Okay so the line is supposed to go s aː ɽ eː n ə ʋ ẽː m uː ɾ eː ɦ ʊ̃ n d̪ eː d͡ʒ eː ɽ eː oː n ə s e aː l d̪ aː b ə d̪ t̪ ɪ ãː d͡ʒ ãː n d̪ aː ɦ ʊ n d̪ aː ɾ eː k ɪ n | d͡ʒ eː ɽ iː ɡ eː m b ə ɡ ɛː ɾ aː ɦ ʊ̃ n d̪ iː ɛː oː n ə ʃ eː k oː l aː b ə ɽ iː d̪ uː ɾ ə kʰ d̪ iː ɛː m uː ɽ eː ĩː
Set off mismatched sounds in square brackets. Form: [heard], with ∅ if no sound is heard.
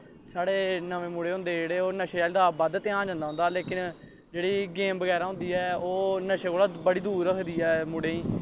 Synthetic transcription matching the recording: s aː ɽ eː n ə ʋ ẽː m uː [ɽ] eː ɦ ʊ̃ n d̪ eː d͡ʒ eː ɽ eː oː n ə [ʃ] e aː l d̪ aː b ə d̪ t̪ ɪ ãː d͡ʒ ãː n d̪ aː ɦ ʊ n d̪ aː [l] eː k ɪ n | d͡ʒ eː ɽ iː ɡ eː m b ə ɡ ɛː ɾ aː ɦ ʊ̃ n d̪ iː ɛː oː n ə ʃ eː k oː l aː b ə ɽ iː d̪ uː ɾ ə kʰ d̪ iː ɛː m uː ɽ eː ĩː